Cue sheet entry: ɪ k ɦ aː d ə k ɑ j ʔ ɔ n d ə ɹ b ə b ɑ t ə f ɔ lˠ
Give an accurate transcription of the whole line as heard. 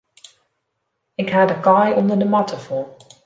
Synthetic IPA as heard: ɪ k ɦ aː d ə k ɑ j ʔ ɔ n d ə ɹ d ə m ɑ t ə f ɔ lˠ